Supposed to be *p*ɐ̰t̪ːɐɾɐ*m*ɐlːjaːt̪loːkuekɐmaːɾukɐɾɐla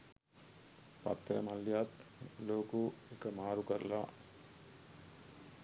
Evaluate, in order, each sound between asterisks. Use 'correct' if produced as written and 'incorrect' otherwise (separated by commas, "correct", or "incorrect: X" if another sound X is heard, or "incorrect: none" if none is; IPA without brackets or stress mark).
correct, correct